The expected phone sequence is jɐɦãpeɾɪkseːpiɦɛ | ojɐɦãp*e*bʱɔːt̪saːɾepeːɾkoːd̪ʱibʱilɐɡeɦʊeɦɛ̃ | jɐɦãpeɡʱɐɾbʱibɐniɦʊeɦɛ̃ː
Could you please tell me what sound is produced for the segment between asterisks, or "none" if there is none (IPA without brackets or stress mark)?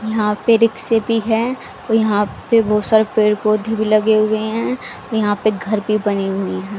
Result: e